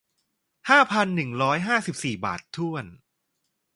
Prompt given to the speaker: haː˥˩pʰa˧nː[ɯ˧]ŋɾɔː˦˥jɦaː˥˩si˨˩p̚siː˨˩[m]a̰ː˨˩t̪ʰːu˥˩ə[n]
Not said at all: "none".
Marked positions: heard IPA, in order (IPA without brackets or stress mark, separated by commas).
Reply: ɯ˨˩, b, n